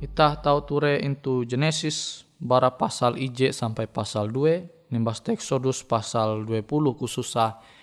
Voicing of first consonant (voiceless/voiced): voiceless